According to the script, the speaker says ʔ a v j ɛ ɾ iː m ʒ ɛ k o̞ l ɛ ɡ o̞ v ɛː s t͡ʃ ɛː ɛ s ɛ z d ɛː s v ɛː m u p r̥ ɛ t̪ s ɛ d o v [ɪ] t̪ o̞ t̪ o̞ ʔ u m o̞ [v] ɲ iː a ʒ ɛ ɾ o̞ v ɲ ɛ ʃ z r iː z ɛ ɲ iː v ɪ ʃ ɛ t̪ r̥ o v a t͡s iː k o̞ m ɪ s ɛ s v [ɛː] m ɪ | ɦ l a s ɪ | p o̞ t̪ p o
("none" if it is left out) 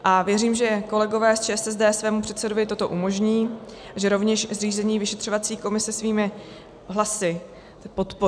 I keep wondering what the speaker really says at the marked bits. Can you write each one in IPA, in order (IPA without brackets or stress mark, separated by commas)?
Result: ɪ, ʒ, iː